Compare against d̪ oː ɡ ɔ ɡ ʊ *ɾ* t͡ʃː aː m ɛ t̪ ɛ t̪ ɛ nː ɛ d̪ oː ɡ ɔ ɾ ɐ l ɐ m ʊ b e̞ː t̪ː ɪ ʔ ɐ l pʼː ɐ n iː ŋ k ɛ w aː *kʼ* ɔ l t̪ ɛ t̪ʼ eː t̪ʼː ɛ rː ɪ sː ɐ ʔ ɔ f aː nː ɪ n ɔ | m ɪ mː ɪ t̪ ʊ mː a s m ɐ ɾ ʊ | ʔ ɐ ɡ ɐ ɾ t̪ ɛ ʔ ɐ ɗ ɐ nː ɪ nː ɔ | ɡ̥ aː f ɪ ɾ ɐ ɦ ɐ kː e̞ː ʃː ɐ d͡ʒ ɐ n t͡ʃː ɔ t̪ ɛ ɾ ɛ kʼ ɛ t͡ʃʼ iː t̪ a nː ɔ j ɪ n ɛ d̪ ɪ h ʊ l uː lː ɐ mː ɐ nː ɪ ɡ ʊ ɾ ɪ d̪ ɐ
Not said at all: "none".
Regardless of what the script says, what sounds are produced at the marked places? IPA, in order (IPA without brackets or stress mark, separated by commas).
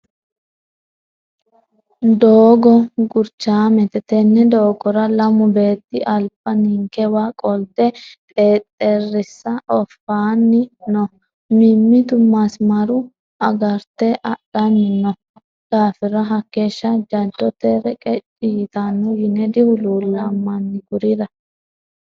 ɾ, kʼ